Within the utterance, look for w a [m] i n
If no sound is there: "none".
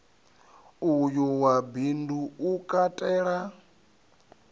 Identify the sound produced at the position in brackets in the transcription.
b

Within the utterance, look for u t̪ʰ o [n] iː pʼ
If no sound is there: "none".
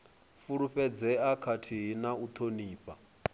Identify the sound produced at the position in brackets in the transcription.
n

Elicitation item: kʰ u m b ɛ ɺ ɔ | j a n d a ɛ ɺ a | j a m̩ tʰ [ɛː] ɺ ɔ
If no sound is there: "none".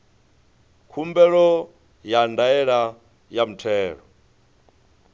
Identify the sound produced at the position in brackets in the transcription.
ɛː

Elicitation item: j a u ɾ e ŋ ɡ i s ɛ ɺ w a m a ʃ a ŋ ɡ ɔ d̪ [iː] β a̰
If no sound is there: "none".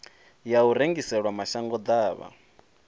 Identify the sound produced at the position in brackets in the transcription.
aː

